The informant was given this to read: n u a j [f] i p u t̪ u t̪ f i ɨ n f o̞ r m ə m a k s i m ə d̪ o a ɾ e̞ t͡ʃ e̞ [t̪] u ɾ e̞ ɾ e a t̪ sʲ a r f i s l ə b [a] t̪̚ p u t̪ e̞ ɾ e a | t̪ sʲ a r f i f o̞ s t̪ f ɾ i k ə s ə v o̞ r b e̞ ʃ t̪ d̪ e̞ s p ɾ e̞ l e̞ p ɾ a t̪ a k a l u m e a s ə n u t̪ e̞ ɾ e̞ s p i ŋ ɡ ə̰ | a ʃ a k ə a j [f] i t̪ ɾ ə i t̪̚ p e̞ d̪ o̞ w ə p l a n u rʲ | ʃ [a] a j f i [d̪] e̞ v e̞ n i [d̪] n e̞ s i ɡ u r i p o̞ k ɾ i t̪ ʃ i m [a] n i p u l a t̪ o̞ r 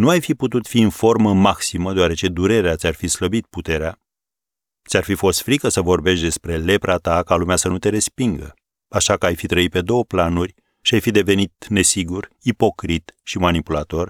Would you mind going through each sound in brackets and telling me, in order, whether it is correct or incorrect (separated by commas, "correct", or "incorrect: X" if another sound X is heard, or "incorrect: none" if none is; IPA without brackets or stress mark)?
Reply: correct, incorrect: d̪, incorrect: i, correct, incorrect: i, correct, incorrect: t̪, correct